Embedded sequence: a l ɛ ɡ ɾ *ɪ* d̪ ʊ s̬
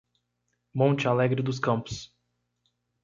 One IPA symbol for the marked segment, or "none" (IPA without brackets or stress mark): ɪ